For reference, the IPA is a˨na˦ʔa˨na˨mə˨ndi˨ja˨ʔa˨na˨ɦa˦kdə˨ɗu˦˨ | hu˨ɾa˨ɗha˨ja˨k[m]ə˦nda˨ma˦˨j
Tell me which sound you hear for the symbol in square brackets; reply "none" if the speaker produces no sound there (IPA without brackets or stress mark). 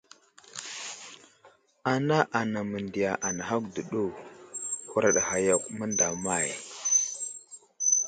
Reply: m